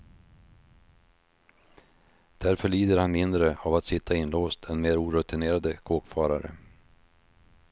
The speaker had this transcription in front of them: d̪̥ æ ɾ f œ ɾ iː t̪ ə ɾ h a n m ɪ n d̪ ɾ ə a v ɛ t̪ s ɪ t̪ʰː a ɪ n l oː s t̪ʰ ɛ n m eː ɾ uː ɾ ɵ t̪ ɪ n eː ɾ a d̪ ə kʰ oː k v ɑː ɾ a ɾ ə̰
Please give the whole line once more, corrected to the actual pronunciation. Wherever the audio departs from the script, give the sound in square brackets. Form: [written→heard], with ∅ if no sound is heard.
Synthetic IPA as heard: d̪̥ æ ɾ f œ [ɾ→ɭ] iː [t̪→d̪] ə ɾ h a n m ɪ n d̪ ɾ ə a v [ɛ→a] t̪ s ɪ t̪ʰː a ɪ n l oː s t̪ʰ ɛ n m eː ɾ uː ɾ ɵ t̪ ɪ n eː ɾ a d̪ ə kʰ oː k [v→f] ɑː ɾ a ɾ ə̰